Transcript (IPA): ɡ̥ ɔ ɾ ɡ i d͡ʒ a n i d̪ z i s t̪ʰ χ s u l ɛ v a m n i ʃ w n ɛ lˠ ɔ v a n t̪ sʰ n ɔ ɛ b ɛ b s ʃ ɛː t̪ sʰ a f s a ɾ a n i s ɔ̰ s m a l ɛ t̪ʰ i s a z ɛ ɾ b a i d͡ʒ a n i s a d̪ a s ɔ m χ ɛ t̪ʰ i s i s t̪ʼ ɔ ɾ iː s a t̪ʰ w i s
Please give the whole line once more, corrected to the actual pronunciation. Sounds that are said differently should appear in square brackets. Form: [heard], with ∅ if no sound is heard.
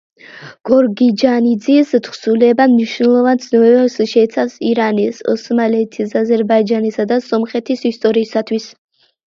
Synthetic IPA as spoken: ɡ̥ ɔ ɾ ɡ i d͡ʒ a n i d̪ z i s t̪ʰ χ s u l ɛ [b] a m n i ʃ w n ɛ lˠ ɔ v a n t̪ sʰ n ɔ ɛ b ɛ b s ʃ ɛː t̪ sʰ a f s [i] ɾ a n i s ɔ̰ s m a l ɛ t̪ʰ i s a z ɛ ɾ b a i d͡ʒ a n i s a d̪ a s ɔ m χ ɛ t̪ʰ i s i s t̪ʼ ɔ ɾ iː s a t̪ʰ w i s